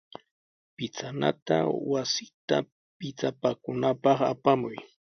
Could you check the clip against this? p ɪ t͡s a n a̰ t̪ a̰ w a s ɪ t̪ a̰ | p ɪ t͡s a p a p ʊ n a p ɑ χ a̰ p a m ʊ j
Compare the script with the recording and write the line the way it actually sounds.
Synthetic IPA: p ɪ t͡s a n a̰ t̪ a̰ w a s ɪ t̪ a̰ | p ɪ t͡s a p a k ʊ n a p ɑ χ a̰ p a m ʊ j